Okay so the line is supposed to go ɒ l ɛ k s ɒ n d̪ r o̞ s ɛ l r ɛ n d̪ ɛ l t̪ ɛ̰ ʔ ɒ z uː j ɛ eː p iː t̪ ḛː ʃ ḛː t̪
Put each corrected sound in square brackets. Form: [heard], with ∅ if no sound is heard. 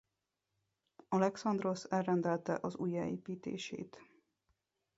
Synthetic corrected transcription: ɒ l ɛ k s ɒ n d̪ r o̞ s ɛ l r ɛ n d̪ ɛ l t̪ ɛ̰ ʔ ɒ z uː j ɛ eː p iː t̪ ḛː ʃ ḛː t̪